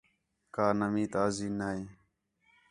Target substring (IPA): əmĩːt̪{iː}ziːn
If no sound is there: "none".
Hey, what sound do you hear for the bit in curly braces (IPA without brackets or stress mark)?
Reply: aː